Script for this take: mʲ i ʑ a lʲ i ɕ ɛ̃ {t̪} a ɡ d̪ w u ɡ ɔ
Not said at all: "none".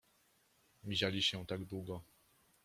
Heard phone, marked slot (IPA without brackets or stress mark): t̪